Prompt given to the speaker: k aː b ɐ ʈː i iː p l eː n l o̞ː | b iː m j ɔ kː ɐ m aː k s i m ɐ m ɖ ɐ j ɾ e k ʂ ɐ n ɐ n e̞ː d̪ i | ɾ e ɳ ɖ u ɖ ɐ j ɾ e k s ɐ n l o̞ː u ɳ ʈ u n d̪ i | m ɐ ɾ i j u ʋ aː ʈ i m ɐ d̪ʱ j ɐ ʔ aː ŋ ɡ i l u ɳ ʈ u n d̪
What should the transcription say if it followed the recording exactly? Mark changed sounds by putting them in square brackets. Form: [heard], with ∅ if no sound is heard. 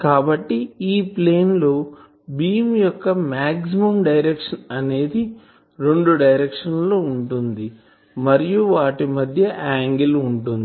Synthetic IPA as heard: k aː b ɐ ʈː i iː p l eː n l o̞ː | b iː m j ɔ kː ɐ m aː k s i m ɐ m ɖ ɐ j ɾ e k ʂ ɐ n ɐ n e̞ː d̪ i | ɾ e ɳ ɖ u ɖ ɐ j ɾ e k [ʂ] ɐ n l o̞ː u ɳ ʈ u n d̪ i | m ɐ ɾ i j u ʋ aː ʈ i m ɐ d̪ʱ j ɐ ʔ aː ŋ ɡ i l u ɳ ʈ u n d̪